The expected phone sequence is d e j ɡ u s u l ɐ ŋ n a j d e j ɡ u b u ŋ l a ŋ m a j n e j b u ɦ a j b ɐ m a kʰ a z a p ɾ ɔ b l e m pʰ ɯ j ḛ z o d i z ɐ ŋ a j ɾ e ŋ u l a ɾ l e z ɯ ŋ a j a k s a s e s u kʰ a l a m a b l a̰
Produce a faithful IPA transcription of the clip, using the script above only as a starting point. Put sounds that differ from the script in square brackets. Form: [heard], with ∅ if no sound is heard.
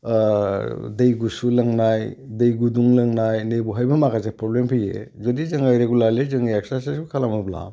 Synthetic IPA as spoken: d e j ɡ u s u l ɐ ŋ n a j d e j ɡ u [d] u ŋ l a ŋ [n] a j n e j b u ɦ a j b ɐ m a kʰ a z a p ɾ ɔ b l e m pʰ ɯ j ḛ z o d i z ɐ ŋ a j ɾ e [ɡ] u l a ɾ l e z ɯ ŋ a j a k s a s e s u kʰ a l a m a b l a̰

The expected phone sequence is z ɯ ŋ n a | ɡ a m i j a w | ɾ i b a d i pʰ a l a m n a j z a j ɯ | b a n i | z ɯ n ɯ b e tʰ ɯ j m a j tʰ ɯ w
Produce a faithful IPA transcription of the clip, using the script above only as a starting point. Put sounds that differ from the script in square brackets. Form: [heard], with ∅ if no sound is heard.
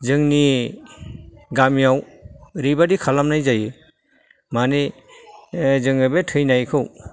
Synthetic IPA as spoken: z ɯ ŋ n [i] | ɡ a m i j a w | ɾ i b a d i [kʰ] a l a m n a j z a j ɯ | [m] a n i | z ɯ [ŋ] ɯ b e tʰ ɯ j [n] a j [kʰ] ɯ w

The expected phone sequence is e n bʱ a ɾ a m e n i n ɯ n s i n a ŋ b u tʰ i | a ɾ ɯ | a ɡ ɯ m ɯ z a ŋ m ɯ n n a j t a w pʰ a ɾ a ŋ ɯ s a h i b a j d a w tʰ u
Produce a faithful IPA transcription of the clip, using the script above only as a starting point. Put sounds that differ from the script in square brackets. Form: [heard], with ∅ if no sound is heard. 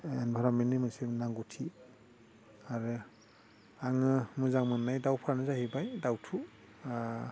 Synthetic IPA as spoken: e n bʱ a ɾ a m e n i [m] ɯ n s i n a ŋ [ɡ] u tʰ i | a ɾ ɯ | a [ŋ] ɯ m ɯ z a ŋ m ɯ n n a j [d] a w pʰ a ɾ a [n] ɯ [z] a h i b a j d a w tʰ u

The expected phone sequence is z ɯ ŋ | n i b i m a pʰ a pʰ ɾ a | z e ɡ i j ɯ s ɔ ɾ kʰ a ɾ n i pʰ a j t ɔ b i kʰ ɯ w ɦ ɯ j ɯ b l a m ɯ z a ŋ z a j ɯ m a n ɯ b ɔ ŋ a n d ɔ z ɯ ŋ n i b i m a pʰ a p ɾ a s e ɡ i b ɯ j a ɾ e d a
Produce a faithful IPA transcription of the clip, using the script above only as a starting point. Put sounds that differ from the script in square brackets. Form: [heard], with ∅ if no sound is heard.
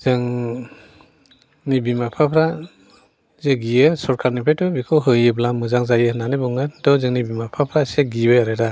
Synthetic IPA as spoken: z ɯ ŋ | n i b i m a pʰ a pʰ ɾ a | z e ɡ i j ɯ s ɔ ɾ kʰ a ɾ n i pʰ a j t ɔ b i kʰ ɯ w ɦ ɯ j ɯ b l a m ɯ z a ŋ z a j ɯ [n] a n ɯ b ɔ ŋ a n d ɔ z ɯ ŋ n i b i m a pʰ a [pʰ] ɾ a s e ɡ i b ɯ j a ɾ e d a

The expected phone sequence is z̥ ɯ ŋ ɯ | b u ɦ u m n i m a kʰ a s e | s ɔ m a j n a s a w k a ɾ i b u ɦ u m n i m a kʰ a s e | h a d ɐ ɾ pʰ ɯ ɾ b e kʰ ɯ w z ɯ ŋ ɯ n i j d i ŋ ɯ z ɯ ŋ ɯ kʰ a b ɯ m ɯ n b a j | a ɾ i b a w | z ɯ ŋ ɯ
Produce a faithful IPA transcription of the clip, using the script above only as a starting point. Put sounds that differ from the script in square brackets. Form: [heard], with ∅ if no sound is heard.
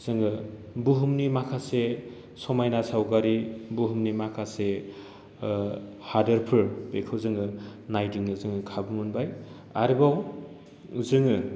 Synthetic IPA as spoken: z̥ ɯ ŋ ɯ | b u ɦ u m n i m a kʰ a s e | s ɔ m a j n a s a w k a ɾ i b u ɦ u m n i m a kʰ a s e | h a d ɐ ɾ pʰ ɯ ɾ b e kʰ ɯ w z ɯ ŋ ɯ n [a] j d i ŋ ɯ z ɯ ŋ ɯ kʰ a b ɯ m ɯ n b a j | a ɾ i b a w | z ɯ ŋ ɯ

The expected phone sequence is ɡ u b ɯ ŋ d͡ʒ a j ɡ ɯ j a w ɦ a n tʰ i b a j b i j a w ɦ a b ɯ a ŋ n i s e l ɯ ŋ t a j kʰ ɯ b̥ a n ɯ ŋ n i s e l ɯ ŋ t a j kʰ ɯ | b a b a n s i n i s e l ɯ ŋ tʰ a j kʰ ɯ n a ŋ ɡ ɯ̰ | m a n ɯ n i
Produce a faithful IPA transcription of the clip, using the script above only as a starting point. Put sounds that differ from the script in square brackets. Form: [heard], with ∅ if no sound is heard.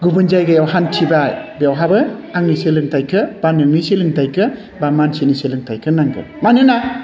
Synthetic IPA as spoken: ɡ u b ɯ [n] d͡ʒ a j ɡ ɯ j a w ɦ a n tʰ i b a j b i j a w ɦ a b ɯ a ŋ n i s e l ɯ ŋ t a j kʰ ɯ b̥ a n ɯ ŋ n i s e l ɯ ŋ t a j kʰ ɯ | b a [m] a n s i n i s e l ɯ ŋ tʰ a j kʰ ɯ n a ŋ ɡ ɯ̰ | m a n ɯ n [a]

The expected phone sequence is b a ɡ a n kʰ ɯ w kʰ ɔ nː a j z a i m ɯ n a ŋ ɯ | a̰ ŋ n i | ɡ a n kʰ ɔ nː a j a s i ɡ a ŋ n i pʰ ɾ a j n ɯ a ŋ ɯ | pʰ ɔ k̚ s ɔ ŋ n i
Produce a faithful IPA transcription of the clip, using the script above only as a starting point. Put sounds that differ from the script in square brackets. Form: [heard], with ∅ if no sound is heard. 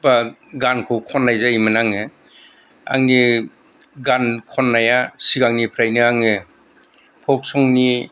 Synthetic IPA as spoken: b a ɡ a n kʰ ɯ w kʰ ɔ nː a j z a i m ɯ n a ŋ ɯ | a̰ ŋ n i | ɡ a n kʰ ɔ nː a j a s i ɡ a ŋ n i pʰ ɾ a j n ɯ a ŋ ɯ | pʰ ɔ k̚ s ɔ ŋ n i

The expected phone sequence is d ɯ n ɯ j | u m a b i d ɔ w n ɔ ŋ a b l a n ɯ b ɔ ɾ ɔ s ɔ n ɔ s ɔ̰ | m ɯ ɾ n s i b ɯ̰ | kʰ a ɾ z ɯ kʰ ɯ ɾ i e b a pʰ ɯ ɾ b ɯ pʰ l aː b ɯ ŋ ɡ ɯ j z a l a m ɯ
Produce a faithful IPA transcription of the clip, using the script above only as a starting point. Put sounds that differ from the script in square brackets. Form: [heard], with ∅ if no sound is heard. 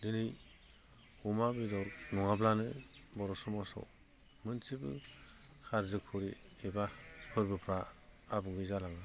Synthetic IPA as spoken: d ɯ n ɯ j | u m a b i d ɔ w n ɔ ŋ a b l a n ɯ b ɔ ɾ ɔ s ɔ [m] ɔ s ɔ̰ | m ɯ [∅] n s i b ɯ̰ | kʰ a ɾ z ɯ kʰ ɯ ɾ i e b a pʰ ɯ ɾ b ɯ pʰ [ɾ] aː b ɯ ŋ ɡ ɯ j z a l a [ŋ] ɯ

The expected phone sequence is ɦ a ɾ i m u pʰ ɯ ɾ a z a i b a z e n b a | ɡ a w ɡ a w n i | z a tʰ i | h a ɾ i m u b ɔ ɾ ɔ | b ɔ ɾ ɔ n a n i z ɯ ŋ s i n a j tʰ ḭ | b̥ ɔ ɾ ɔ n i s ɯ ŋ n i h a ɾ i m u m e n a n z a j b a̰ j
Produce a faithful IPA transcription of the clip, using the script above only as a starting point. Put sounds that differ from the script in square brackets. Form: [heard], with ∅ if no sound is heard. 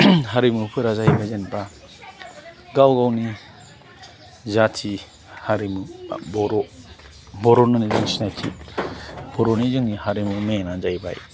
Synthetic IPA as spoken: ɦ a ɾ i m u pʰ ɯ ɾ a z a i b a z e n b a | ɡ a w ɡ a w n i | z a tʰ i | h a ɾ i m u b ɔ ɾ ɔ | b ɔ ɾ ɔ n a n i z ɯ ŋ s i n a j tʰ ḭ | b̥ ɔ ɾ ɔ n i [z] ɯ ŋ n i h a ɾ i m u m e n a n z a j b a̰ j

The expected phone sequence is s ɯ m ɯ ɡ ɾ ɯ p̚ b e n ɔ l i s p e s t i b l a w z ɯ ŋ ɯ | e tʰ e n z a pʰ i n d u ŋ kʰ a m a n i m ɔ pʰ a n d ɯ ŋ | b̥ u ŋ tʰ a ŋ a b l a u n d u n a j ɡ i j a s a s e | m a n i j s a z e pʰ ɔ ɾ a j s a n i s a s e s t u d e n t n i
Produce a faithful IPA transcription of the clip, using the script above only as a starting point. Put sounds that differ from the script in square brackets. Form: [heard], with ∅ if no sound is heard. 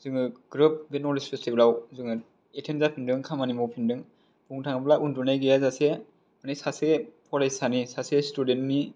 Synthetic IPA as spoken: [z] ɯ [ŋ] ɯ ɡ ɾ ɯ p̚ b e n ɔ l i s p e s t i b l a w z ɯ ŋ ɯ | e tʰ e n z a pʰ i n d [ɯ] ŋ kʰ a m a n i m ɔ pʰ [i] n d ɯ ŋ | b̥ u ŋ tʰ a ŋ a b l a u n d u n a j ɡ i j a [z] a s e | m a n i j s a [s] e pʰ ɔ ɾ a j s a n i s a s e s t u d e n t n i

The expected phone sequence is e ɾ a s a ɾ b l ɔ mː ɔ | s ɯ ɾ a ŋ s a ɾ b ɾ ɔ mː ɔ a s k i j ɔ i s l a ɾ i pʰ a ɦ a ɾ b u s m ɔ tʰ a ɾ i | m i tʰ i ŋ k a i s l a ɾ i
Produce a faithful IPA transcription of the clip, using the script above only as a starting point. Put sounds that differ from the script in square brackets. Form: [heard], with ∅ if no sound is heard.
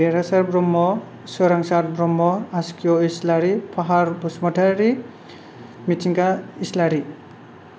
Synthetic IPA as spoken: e ɾ a s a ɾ b [ɾ] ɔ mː ɔ | s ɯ ɾ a ŋ s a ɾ b ɾ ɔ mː ɔ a s k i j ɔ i s l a ɾ i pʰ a ɦ a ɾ b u s m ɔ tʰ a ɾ i | m i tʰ i ŋ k a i s l a ɾ i

